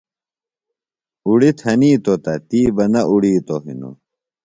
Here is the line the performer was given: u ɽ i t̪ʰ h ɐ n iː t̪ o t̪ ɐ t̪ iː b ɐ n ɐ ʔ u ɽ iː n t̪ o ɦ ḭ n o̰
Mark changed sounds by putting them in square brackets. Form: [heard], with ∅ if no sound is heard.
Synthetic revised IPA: u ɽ i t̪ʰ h ɐ n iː t̪ o t̪ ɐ t̪ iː b ɐ n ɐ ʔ u ɽ iː [∅] t̪ o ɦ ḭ n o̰